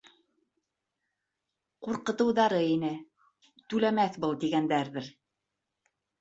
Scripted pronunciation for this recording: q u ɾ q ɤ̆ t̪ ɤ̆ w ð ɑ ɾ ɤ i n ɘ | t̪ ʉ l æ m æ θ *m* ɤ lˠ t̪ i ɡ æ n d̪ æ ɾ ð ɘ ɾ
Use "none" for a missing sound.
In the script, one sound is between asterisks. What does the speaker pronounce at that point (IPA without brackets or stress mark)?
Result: b